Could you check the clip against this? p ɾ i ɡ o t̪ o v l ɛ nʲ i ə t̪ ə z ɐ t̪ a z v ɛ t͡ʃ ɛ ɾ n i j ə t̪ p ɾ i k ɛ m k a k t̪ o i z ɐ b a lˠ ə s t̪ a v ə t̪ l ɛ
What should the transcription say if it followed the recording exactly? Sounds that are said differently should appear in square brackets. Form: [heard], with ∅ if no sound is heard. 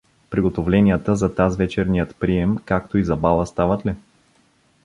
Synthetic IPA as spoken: p ɾ i ɡ o t̪ o v l ɛ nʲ i ə t̪ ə z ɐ t̪ a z v ɛ t͡ʃ ɛ ɾ n i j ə t̪ p ɾ i [∅] ɛ m k a k t̪ o i z ɐ b a lˠ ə s t̪ a v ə t̪ l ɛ